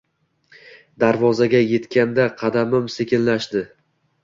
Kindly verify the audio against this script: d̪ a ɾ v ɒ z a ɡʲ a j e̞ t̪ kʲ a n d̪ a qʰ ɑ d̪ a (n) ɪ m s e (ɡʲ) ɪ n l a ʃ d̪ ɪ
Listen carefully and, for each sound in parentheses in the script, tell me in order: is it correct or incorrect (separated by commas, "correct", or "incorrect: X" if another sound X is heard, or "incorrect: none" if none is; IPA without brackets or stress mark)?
incorrect: m, incorrect: kʲ